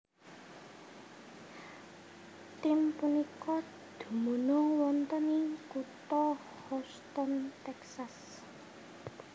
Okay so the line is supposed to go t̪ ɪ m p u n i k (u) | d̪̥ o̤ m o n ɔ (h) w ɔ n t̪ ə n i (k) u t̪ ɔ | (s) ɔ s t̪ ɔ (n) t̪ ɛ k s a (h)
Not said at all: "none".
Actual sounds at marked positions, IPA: ɔ, none, k, h, n, s

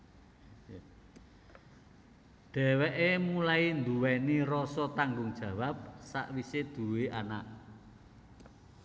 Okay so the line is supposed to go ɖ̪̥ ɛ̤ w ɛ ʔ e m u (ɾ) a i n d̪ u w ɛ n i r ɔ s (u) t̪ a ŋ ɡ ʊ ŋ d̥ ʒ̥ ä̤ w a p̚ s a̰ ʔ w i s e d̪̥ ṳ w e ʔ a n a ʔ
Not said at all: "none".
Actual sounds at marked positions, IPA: l, ɔ

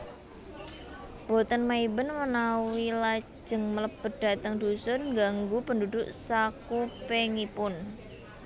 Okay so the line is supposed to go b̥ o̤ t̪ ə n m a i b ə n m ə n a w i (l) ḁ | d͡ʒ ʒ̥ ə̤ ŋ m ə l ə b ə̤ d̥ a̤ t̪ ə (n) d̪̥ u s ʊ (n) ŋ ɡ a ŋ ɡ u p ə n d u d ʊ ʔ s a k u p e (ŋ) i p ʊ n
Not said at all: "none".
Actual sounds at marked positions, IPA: l, ŋ, n, ŋ

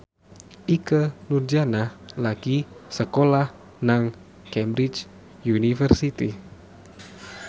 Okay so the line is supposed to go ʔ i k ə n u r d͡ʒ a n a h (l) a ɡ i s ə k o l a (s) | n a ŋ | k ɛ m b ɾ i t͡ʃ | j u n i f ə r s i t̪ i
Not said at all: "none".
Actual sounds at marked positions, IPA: l, h

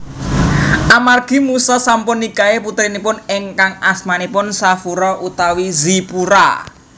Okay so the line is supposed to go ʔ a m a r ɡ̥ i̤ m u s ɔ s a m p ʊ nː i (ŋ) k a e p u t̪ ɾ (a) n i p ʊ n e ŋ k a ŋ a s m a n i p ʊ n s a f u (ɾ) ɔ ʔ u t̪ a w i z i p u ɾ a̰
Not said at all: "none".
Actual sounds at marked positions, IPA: none, i, ɾ

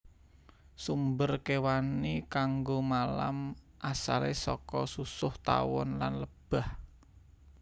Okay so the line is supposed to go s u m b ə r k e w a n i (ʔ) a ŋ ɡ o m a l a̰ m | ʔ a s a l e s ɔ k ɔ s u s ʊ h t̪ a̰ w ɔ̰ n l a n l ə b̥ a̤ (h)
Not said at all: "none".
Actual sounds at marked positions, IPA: k, h

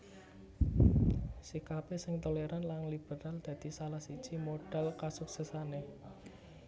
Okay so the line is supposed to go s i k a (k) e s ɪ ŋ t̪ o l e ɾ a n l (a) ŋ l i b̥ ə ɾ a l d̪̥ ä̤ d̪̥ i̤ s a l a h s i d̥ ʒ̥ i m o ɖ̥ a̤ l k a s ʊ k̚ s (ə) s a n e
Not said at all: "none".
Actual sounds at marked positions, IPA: p, a, ə

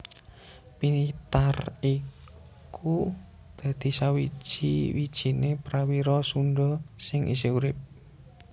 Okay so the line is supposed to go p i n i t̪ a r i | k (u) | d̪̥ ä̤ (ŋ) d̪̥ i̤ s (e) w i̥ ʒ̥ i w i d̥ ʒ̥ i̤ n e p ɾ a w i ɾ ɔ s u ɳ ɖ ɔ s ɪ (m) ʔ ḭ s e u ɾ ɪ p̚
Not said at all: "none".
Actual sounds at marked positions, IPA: u, none, a, ŋ

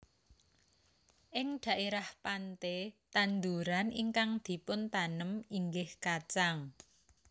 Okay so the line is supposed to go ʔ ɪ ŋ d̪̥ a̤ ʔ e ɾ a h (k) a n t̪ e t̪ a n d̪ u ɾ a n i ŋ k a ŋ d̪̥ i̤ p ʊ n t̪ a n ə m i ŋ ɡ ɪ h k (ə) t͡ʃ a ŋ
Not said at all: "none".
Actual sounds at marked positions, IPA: p, a

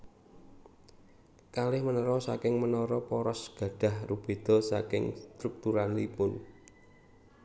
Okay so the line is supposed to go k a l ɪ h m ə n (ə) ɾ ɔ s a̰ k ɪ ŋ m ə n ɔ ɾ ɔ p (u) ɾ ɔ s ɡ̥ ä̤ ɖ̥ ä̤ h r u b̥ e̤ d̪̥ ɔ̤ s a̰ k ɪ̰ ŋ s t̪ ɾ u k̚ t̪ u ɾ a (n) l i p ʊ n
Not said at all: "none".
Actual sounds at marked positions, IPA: ə, ɔ, n

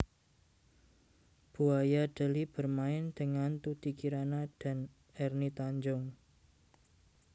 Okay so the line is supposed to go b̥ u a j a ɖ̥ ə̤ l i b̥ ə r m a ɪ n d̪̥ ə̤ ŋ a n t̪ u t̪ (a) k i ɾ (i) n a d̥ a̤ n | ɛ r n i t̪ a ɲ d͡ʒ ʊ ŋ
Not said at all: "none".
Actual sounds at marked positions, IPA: i, a

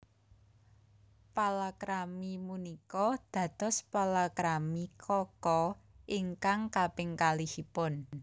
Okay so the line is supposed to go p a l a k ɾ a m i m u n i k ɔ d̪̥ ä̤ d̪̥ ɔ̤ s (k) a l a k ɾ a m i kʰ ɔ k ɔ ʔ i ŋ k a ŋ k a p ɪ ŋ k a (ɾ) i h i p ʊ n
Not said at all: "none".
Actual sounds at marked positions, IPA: p, l

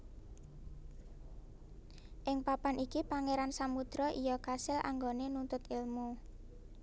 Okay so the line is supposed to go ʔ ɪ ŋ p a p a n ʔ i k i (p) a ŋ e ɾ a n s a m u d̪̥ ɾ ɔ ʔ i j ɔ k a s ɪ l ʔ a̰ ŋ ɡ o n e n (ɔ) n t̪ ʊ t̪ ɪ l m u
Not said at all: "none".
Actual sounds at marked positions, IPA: p, u

